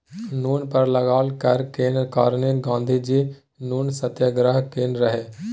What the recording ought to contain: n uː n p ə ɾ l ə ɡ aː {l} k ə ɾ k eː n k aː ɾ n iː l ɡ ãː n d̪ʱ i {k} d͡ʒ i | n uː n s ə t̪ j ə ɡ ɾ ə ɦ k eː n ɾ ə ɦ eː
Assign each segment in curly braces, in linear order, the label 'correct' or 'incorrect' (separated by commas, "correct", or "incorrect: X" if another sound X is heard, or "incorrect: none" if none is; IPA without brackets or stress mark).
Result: correct, incorrect: none